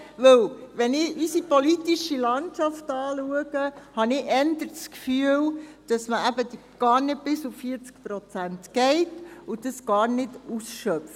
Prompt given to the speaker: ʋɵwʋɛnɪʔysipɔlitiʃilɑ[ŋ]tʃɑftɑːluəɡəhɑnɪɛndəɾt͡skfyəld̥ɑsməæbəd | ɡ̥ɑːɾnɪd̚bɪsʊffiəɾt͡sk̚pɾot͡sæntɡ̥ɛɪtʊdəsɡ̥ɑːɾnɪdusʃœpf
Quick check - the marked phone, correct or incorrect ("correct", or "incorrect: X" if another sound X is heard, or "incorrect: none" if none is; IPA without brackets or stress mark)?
incorrect: n